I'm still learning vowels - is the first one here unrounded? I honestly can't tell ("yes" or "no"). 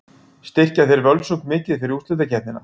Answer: yes